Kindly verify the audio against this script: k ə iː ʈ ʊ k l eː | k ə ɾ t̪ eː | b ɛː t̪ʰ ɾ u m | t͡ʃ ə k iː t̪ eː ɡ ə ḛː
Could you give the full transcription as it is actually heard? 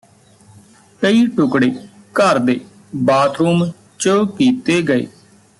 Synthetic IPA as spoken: k ə iː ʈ ʊ k ɽ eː | k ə ɾ d̪ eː | b aː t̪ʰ ɾ uː m | t͡ʃ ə k iː t̪ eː ɡ ə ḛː